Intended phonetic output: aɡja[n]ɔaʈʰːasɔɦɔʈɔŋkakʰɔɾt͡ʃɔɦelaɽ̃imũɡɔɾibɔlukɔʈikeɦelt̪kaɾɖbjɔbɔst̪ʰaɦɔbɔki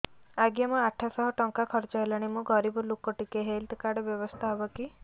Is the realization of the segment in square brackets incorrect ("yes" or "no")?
yes